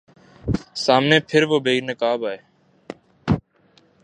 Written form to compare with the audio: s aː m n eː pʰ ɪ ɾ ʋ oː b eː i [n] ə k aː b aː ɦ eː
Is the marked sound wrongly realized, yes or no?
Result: no